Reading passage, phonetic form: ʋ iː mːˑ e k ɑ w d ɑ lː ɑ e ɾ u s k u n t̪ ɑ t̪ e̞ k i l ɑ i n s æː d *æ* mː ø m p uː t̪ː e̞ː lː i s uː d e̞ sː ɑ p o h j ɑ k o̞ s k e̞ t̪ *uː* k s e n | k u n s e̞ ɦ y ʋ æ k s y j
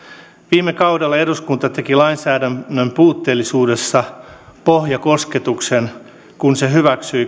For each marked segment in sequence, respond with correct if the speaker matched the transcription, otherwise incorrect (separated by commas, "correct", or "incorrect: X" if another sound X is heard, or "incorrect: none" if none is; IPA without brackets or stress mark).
correct, incorrect: u